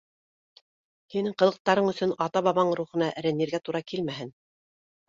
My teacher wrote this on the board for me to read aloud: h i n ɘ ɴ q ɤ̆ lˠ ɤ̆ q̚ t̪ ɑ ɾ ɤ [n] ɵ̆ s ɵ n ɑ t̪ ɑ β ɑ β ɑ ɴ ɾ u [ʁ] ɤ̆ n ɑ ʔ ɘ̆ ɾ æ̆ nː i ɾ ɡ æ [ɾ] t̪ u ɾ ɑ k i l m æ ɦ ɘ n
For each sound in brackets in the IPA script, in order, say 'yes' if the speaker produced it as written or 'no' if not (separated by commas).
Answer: no, no, no